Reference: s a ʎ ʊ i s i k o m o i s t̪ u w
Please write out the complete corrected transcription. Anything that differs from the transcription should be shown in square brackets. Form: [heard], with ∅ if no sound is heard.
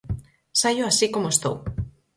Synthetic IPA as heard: s a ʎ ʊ [a] s i k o m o [e] s t̪ [o] w